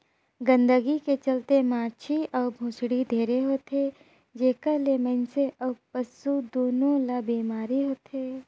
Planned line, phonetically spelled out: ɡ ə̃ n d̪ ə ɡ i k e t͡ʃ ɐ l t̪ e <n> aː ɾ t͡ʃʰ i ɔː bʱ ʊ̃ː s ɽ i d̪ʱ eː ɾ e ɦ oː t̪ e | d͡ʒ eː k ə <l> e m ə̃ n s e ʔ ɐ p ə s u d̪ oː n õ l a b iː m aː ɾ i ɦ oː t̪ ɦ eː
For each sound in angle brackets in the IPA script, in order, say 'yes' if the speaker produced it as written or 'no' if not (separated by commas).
no, yes